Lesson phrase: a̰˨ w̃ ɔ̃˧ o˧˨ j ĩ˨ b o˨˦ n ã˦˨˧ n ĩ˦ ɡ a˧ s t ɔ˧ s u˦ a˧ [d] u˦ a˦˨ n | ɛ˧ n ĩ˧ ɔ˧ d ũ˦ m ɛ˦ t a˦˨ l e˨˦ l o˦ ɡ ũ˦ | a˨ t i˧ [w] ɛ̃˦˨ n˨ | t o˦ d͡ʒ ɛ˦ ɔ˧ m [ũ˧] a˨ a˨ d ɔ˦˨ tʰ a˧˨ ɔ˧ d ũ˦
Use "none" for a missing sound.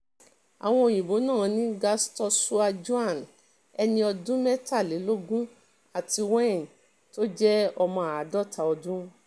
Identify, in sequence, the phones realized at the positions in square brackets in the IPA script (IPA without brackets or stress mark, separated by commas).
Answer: d͡ʒ, w, ɔ̃˧